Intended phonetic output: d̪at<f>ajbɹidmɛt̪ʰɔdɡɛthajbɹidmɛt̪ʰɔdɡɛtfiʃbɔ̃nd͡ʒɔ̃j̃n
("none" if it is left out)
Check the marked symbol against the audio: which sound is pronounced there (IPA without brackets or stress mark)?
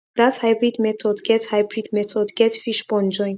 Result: h